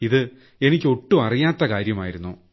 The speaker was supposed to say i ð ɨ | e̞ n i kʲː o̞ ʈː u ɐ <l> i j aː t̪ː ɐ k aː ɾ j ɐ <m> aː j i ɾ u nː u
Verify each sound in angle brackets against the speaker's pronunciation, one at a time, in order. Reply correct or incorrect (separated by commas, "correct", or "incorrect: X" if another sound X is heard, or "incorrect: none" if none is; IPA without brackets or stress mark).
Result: incorrect: r, correct